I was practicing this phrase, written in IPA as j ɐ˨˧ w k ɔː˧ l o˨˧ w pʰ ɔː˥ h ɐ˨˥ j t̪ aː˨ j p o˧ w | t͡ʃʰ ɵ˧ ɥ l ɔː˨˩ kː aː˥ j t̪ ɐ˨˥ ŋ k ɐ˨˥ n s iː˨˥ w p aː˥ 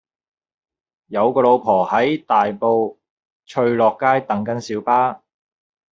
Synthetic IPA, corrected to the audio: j ɐ˨˧ w k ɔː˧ l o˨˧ w pʰ ɔː˨˩ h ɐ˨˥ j t̪ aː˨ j p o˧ w | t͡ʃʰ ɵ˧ ɥ l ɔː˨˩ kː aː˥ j t̪ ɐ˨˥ ŋ k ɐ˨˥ n s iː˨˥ w p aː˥